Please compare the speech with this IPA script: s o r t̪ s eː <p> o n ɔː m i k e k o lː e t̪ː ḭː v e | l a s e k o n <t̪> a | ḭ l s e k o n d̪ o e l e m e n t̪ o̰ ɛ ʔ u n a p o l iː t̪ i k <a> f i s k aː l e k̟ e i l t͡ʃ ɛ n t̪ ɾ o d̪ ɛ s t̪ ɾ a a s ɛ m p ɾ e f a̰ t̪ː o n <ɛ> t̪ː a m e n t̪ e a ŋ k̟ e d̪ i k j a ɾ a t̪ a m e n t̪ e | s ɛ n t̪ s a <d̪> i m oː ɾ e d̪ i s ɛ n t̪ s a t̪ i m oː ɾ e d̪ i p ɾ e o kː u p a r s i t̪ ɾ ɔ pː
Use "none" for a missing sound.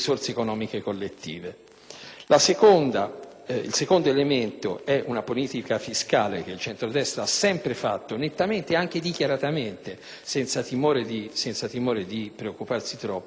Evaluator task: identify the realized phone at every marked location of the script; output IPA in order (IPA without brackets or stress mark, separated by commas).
k, d̪, a, e, t̪